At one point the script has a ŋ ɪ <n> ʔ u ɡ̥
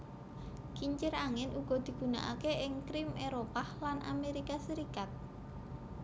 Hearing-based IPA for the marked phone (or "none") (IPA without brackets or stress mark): n